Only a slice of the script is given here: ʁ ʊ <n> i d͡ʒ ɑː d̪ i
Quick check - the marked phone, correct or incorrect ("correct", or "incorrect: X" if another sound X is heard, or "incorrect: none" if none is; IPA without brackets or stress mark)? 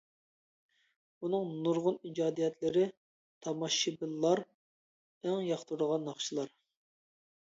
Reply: correct